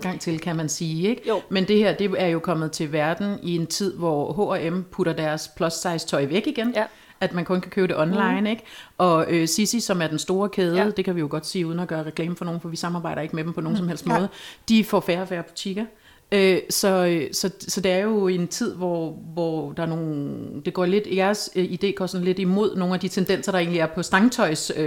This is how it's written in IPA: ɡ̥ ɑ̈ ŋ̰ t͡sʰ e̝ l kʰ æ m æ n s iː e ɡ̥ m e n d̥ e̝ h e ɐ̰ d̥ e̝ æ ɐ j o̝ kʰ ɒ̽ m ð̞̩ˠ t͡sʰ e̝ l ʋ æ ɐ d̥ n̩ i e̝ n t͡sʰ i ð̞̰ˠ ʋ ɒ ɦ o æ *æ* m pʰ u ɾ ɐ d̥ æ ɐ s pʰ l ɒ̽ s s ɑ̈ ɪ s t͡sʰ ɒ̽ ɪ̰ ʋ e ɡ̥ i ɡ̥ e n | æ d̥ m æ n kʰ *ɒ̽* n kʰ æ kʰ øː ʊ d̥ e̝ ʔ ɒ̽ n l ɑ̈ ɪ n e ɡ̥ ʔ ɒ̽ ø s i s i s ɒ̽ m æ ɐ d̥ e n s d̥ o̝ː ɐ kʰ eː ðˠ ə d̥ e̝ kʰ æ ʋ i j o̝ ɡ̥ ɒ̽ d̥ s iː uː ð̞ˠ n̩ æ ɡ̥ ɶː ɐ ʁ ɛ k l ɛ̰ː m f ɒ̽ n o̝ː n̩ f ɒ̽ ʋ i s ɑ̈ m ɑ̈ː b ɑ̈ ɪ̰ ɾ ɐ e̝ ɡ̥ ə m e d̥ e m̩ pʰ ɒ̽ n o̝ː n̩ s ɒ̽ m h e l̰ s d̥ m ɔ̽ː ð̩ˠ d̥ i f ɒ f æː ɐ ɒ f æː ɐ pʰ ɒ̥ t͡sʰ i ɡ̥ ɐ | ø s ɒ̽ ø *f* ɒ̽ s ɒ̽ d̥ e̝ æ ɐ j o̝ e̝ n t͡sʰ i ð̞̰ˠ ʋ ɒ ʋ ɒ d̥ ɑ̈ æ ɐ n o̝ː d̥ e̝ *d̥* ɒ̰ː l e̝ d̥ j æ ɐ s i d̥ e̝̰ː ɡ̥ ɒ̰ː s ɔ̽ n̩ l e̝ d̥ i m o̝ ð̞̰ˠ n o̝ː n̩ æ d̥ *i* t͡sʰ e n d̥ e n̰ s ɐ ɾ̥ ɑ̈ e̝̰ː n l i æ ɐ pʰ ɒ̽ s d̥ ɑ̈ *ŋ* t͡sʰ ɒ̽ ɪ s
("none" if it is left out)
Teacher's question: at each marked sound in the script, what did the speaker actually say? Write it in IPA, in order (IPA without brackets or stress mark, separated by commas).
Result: e, ɔ̽, s, ɡ̥, i, ŋ